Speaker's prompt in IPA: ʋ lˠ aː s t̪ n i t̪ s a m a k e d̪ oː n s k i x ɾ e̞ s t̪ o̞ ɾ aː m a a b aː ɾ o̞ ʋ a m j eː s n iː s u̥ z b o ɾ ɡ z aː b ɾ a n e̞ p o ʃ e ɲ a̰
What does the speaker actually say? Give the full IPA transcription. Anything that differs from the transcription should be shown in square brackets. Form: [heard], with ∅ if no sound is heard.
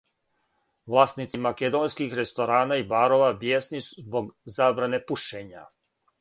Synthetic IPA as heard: ʋ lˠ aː s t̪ n i t̪ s [i] m a k e d̪ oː n s k i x ɾ e̞ s t̪ o̞ ɾ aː [n] a [i] b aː ɾ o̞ ʋ a [b] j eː s n [i] s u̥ z b o [∅] ɡ z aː b ɾ a n e̞ p [u] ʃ e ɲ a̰